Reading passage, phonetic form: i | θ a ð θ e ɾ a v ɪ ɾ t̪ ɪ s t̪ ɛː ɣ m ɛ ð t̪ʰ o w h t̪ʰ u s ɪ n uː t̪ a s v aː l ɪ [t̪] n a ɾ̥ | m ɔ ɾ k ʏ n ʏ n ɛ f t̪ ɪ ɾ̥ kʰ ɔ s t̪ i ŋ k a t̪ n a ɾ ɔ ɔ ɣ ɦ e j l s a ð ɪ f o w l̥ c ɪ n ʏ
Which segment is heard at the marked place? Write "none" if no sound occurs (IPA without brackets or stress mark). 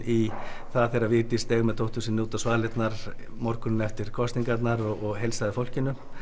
t̪